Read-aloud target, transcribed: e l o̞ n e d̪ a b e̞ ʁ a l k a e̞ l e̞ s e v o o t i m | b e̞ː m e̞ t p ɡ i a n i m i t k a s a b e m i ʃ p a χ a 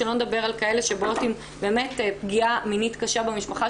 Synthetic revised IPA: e l o̞ n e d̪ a b e̞ ʁ a l k a e̞ l e̞ ʃ e b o o t i m | b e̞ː m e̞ t p ɡ i a m i n i t k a ʃ a b e m i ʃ p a χ a